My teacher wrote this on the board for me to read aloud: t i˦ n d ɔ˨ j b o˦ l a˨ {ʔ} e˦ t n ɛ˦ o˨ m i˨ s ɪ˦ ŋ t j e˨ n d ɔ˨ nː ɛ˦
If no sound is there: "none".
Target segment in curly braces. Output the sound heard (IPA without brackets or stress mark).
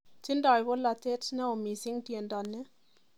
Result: t